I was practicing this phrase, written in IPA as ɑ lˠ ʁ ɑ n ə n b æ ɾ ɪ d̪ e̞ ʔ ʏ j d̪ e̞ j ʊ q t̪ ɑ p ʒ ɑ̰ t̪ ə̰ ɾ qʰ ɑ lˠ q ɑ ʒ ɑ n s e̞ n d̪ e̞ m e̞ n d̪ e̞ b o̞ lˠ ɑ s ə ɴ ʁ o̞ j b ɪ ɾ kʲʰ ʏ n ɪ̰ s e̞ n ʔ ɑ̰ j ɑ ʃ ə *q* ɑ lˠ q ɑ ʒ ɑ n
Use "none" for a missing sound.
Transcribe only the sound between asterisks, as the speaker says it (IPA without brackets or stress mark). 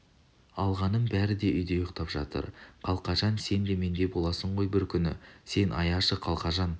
qʰ